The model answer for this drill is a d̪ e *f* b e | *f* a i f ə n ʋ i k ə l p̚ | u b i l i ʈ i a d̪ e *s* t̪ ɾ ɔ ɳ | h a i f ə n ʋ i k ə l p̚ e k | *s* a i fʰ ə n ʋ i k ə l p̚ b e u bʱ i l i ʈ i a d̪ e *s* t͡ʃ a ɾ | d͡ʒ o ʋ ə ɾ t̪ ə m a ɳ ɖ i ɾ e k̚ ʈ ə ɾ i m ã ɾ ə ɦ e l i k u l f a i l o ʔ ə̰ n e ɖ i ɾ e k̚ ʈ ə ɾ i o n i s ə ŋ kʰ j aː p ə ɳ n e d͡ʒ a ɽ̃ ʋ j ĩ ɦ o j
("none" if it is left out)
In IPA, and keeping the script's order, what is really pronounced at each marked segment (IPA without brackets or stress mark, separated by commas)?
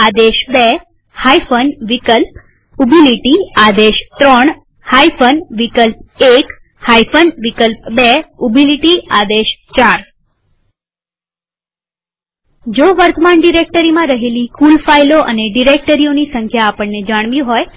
ʃ, h, ʃ, h, ʃ